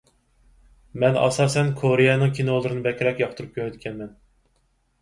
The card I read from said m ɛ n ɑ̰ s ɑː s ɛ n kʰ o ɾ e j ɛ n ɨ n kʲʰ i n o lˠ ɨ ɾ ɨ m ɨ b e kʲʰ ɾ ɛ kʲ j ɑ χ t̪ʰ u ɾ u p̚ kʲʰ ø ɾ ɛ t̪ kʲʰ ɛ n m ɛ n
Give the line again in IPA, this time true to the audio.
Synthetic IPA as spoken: m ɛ n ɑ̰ s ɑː s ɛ n kʰ o ɾ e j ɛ n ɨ ŋ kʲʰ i n o lˠ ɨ ɾ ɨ n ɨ b ɛ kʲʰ ɾ ɛ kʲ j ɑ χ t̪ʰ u ɾ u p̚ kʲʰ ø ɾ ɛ t̪ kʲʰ ɛ n m ɛ n